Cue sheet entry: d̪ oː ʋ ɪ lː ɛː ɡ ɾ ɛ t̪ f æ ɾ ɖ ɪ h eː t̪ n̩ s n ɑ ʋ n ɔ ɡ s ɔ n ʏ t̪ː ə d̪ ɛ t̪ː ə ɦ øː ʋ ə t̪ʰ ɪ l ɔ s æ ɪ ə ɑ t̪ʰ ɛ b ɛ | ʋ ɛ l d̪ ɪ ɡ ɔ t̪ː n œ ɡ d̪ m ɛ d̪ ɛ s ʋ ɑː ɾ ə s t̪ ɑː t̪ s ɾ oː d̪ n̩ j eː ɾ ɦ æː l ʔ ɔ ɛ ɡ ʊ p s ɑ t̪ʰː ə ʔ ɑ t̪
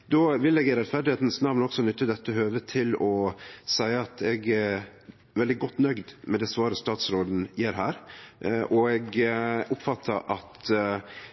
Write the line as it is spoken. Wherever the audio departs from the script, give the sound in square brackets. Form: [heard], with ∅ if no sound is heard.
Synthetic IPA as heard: d̪ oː ʋ ɪ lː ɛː ɡ ɾ ɛ t̪ f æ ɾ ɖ ɪ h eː t̪ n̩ s n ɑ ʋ n ɔ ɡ s ɔ n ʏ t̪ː ə d̪ ɛ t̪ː ə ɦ øː ʋ ə t̪ʰ ɪ l ɔ s æ ɪ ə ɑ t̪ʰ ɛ [ɡ] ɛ | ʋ ɛ l d̪ ɪ ɡ ɔ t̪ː n œ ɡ d̪ m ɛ d̪ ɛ s ʋ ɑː ɾ ə s t̪ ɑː t̪ s ɾ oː d̪ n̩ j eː ɾ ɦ æː [ɾ] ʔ ɔ ɛ ɡ ʊ p [f] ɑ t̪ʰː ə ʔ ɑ t̪